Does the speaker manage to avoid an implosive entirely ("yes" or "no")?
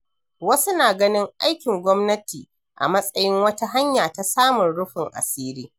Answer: yes